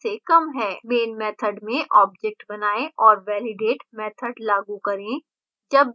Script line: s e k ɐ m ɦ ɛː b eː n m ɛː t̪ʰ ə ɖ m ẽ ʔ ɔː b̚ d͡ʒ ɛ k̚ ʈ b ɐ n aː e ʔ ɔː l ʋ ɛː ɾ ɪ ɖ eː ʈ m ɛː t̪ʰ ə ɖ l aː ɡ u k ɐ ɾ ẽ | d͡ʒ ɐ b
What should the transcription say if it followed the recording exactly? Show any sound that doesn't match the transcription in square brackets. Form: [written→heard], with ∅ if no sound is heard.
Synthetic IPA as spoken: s e k ɐ m ɦ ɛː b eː n m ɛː t̪ʰ ə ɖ m ẽ ʔ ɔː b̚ d͡ʒ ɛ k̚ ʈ b ɐ n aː e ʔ ɔː [l→ɾ] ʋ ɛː [ɾ→l] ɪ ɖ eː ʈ m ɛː t̪ʰ ə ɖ l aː ɡ u k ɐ ɾ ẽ | d͡ʒ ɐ b